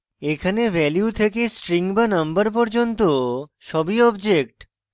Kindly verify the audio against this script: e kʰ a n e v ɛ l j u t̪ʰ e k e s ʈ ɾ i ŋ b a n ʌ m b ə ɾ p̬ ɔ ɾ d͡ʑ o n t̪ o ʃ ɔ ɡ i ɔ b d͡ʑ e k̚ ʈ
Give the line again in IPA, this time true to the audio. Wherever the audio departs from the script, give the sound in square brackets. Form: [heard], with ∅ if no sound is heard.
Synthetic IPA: e kʰ a n e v ɛ l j u t̪ʰ e k e s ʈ ɾ i ŋ b a n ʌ m b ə ɾ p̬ ɔ ɾ d͡ʑ o n t̪ o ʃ ɔ [b] i ɔ b d͡ʑ e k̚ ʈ